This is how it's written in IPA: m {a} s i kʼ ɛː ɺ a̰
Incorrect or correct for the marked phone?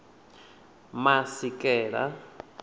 correct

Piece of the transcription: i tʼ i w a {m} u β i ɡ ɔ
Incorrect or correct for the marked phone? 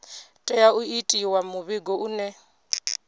correct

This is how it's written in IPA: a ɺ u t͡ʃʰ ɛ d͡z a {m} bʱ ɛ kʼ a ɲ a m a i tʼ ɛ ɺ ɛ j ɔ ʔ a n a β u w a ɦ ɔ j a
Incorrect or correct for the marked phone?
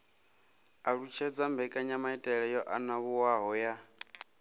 correct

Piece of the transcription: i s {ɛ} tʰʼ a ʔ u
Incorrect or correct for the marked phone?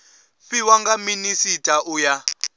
incorrect: i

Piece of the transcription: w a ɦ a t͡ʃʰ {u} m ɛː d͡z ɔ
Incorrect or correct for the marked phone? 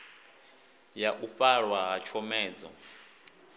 incorrect: ɔ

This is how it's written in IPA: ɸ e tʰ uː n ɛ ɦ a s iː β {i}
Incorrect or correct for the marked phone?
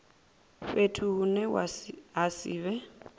incorrect: ɛ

